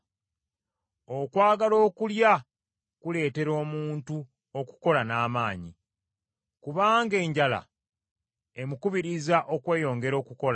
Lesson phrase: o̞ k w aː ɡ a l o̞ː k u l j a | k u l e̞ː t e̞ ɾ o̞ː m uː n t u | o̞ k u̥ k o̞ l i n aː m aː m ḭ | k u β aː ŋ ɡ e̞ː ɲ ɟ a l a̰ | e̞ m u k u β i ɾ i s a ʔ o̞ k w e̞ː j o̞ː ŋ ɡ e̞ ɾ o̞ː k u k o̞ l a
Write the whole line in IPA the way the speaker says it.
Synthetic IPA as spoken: o̞ k w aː ɡ a l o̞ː k u l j a | k u l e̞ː t e̞ ɾ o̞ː m uː n t u | o̞ k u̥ k o̞ l a n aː m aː ɲ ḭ | k u β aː ŋ ɡ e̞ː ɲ ɟ a l a̰ | e̞ m u k u β i ɾ i z a ʔ o̞ k w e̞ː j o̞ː ŋ ɡ e̞ ɾ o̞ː k u k o̞ l a